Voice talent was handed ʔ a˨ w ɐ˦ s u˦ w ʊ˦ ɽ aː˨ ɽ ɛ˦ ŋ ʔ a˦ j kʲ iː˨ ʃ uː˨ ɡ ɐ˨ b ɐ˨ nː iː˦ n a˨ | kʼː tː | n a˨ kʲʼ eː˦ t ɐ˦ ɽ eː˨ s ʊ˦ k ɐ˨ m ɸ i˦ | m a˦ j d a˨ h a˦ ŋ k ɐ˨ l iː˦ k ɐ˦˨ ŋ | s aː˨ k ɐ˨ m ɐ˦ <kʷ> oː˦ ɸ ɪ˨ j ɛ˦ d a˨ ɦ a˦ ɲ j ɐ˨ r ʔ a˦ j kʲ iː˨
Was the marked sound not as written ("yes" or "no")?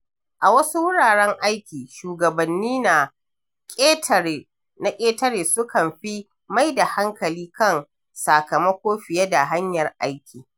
no